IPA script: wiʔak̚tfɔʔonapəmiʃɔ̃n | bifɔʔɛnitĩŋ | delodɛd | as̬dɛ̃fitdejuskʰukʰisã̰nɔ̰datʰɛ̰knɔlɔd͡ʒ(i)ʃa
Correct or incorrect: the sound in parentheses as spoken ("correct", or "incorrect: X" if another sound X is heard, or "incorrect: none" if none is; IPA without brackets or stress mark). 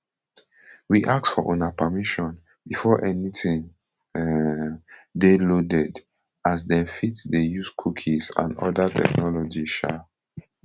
correct